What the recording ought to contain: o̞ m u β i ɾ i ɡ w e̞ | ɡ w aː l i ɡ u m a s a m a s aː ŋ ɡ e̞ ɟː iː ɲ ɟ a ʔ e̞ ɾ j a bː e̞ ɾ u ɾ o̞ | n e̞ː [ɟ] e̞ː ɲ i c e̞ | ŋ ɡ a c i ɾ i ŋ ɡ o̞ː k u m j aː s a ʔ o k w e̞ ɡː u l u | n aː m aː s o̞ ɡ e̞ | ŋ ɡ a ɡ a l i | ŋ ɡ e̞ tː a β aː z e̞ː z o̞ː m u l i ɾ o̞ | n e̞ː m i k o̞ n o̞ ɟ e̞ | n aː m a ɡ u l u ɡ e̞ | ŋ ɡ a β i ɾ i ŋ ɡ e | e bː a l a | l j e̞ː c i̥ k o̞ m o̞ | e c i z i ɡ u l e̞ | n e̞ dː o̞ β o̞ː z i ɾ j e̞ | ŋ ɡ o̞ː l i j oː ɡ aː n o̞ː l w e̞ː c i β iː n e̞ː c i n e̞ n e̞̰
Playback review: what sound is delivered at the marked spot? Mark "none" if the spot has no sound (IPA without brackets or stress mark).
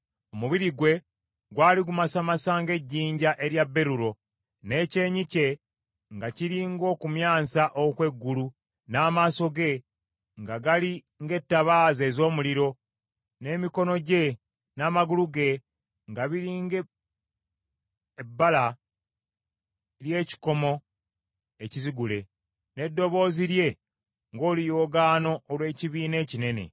c